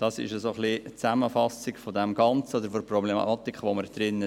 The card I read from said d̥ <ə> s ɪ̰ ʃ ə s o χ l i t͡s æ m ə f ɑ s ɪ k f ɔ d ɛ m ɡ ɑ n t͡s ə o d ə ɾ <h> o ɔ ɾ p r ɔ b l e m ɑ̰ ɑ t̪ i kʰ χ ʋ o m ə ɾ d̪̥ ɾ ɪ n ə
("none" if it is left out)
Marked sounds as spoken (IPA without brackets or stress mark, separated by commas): ɑ, f